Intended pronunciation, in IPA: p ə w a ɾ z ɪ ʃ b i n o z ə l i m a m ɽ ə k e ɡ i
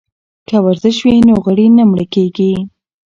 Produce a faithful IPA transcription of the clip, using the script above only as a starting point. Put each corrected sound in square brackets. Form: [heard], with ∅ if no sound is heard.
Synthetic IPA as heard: [k] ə w a ɾ z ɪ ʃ [w] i n o [ɣ] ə [ɽ] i [n] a m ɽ ə k e ɡ i